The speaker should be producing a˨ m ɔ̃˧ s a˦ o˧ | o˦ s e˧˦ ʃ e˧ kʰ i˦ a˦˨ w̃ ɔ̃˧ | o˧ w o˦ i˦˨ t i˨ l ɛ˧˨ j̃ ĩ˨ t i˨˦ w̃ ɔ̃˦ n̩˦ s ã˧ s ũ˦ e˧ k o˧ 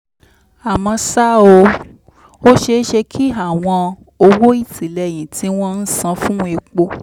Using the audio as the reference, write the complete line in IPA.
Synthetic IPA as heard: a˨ m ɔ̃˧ s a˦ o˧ | o˦ ʃ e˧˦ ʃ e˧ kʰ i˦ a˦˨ w̃ ɔ̃˧ | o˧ w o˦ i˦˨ t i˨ l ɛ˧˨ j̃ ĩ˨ t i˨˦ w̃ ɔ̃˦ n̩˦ s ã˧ f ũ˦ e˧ k͡p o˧